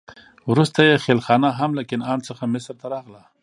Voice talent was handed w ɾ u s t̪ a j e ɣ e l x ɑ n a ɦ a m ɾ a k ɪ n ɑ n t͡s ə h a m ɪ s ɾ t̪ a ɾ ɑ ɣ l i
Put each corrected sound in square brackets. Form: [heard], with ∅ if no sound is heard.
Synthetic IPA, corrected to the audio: w ɾ u s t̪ a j e [x] e l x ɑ n a ɦ a m [l] a k ɪ n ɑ n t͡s ə [x] a m ɪ s ɾ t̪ a ɾ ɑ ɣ l [a]